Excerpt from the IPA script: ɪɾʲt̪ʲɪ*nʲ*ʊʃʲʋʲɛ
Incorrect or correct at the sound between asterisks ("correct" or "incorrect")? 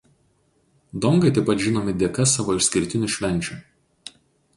correct